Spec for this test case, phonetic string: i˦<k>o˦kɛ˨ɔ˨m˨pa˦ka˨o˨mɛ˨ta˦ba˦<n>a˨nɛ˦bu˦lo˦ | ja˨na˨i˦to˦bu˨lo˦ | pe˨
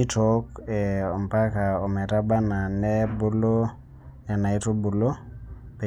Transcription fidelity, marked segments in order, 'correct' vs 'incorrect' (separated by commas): incorrect, correct